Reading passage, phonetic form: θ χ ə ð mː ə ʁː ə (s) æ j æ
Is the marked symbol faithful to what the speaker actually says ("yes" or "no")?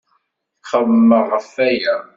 no